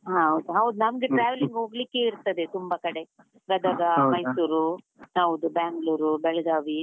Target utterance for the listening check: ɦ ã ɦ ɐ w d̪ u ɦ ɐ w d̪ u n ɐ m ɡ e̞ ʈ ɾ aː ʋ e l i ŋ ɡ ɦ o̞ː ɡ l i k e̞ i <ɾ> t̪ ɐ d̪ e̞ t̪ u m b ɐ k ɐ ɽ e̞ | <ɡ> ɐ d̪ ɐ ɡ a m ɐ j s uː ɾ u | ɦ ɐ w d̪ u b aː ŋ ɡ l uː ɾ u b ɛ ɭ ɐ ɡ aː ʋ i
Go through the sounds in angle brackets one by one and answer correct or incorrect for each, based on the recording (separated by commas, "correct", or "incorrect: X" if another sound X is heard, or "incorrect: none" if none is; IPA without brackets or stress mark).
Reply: correct, correct